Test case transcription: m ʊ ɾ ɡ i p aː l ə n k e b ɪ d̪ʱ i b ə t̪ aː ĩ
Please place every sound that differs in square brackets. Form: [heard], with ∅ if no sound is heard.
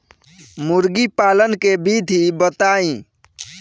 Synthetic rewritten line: m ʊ ɾ ɡ i p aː l ə n k e b [i] d̪ʱ i b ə t̪ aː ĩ